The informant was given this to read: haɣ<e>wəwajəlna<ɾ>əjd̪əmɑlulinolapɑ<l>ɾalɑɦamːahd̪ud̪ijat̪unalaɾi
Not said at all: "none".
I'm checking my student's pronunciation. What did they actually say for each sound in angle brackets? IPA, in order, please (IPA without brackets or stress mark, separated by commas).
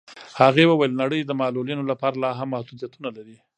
e, ɽ, none